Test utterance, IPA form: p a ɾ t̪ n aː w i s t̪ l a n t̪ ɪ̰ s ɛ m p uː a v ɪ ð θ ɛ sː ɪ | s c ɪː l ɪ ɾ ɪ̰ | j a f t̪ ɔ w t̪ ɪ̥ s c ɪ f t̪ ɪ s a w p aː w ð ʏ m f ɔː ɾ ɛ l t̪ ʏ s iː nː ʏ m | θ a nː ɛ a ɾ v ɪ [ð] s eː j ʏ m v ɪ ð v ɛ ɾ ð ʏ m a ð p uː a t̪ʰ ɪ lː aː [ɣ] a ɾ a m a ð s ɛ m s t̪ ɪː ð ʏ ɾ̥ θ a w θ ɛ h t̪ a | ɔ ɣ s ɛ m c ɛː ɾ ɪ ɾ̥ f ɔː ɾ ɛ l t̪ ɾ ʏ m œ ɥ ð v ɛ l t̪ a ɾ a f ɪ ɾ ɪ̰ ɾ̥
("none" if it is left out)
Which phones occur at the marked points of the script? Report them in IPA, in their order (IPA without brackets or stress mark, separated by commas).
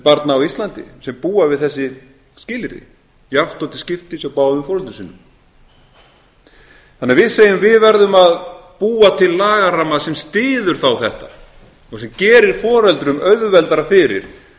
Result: ð, ɣ